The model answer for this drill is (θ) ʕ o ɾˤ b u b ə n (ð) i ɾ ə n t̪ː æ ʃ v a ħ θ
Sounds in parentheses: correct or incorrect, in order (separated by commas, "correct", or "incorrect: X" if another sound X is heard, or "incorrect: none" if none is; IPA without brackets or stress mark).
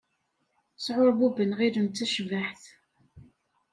incorrect: s, incorrect: ʁ